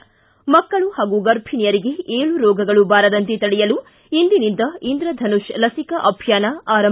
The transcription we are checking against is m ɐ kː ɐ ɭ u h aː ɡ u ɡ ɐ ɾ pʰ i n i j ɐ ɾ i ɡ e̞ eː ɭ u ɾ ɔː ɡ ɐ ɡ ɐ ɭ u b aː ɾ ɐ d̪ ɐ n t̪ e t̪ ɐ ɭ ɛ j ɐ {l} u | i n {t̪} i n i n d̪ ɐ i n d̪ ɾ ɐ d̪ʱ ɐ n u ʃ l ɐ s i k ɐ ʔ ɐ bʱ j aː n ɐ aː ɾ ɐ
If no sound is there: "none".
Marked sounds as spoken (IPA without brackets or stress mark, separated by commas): l, d̪